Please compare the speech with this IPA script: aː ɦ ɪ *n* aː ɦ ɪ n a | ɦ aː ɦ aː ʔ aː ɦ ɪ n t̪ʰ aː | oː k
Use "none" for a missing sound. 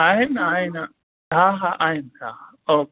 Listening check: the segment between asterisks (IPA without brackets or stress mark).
n